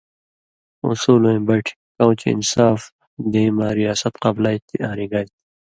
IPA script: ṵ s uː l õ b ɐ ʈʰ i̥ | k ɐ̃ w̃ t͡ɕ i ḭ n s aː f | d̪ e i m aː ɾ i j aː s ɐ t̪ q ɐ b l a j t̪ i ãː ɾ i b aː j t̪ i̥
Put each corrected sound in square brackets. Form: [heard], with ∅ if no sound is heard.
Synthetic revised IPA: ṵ s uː l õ b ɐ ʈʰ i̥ | k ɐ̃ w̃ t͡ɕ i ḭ n s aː f | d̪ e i m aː ɾ i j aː s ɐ t̪ q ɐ b l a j t̪ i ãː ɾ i [ɡ] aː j t̪ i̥